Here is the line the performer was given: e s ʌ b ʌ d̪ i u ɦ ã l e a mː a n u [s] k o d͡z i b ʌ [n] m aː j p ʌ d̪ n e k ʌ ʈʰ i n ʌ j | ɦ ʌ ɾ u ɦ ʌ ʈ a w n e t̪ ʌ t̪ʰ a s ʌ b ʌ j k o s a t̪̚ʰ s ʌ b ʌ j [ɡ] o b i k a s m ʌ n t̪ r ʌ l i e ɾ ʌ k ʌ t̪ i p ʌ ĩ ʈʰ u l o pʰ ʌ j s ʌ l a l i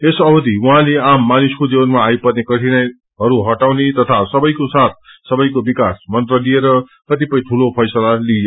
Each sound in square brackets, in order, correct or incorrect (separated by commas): correct, correct, incorrect